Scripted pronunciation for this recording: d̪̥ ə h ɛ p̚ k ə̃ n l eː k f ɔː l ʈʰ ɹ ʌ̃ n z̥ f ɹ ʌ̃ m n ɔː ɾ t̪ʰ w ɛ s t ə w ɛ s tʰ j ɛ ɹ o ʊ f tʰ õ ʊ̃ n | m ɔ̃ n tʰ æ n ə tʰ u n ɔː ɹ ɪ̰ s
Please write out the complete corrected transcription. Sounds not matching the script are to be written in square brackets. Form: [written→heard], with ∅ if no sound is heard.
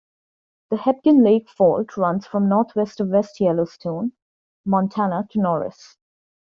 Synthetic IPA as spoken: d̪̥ ə h ɛ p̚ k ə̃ n l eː k f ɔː l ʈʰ ɹ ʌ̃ n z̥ f ɹ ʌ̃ m n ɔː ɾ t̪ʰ w ɛ s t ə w ɛ s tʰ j ɛ [ɹ→l] o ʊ [f→s] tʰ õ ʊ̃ n | m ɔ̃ n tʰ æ n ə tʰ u n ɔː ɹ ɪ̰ s